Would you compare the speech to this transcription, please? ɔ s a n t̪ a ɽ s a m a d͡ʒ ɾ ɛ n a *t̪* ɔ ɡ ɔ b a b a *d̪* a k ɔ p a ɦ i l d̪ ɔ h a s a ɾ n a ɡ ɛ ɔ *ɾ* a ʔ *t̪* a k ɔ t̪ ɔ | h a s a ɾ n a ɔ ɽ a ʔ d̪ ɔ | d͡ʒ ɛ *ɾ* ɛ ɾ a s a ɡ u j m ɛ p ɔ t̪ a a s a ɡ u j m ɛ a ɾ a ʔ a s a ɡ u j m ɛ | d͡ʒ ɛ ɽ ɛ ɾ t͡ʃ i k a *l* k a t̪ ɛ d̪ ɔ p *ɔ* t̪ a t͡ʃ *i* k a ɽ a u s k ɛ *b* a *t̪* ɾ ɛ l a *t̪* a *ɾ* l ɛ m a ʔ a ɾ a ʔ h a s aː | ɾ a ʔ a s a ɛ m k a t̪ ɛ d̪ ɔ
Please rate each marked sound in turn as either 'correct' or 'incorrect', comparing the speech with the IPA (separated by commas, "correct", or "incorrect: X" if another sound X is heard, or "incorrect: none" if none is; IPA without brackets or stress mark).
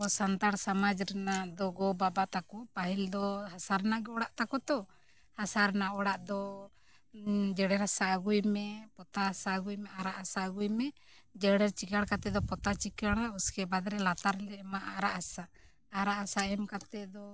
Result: incorrect: d̪, incorrect: t̪, incorrect: ɽ, correct, incorrect: ɽ, incorrect: ɽ, correct, correct, correct, incorrect: d̪, correct, correct